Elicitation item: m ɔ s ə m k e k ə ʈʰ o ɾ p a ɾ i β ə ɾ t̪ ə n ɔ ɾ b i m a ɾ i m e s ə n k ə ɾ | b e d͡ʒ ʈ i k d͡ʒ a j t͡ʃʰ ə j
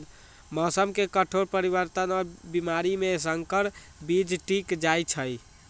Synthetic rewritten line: m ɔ s ə m k e k ə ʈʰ o ɾ p ə ɾ i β ə ɾ t̪ ə n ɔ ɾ b i m a ɾ i m e s ə ŋ k ə ɾ | b i d͡ʒ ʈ i k d͡ʒ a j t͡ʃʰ ə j